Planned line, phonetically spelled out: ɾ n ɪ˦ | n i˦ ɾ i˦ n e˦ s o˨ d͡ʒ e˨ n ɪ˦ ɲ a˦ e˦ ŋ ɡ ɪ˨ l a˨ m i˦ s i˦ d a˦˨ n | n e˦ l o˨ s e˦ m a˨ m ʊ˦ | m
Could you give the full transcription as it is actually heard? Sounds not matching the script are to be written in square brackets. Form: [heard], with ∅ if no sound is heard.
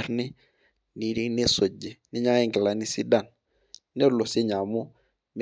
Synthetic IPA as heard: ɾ n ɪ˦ | n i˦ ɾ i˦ n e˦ s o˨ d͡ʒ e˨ n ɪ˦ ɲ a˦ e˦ ŋ ɡ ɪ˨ l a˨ [n] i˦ s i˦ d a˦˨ n | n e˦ l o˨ s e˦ [ɲ] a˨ m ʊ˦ | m